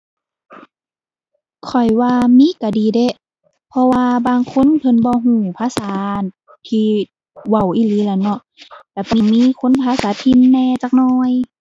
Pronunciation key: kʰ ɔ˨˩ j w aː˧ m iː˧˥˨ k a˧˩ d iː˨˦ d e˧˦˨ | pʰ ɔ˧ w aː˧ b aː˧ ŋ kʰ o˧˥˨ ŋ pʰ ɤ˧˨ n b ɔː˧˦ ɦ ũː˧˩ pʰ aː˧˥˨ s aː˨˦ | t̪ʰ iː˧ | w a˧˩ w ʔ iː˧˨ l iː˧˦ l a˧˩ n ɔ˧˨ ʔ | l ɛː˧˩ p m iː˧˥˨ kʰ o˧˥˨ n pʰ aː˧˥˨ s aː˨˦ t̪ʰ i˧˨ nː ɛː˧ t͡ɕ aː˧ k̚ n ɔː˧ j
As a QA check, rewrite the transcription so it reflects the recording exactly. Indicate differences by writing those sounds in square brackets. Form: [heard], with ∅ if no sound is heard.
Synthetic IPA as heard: kʰ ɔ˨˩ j w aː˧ m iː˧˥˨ k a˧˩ d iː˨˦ d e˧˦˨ | pʰ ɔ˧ w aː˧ b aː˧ ŋ kʰ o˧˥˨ [n] pʰ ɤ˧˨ n b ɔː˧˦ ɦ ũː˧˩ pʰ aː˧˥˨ s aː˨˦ | t̪ʰ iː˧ | w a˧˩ w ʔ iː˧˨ l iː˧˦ l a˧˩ n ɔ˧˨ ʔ | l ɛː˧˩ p m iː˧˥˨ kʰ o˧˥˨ n pʰ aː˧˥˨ s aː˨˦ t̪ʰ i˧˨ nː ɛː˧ t͡ɕ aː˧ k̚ n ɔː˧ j